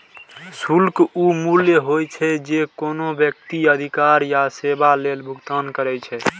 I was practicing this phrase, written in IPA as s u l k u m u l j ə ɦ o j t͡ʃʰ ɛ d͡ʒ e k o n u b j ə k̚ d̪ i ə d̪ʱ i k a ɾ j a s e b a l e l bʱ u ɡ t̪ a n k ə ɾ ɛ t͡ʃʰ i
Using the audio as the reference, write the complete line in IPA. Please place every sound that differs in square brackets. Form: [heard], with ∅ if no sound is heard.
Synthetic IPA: s u l k u m u l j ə ɦ o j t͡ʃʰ ɛ d͡ʒ e k o n [o] b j ə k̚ [t̪] i ə d̪ʱ i k a ɾ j a s e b a l e l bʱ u ɡ t̪ a n k ə ɾ ɛ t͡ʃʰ [ɛ]